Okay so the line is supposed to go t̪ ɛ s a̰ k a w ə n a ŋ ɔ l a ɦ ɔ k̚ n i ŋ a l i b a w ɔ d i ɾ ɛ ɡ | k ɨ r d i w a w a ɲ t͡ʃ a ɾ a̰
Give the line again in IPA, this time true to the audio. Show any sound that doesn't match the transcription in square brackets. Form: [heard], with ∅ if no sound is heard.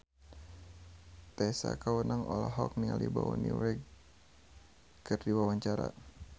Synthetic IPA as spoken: t̪ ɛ s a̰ k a w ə n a ŋ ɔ l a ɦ ɔ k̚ n i ŋ a l i b a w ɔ [n] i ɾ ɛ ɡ | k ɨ r d i w a w a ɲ t͡ʃ a ɾ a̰